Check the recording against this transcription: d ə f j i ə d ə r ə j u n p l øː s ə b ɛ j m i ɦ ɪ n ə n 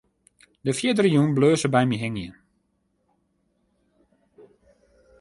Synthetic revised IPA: d ə f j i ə d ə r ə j u n b l øː s ə b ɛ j m i ɦ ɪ ŋ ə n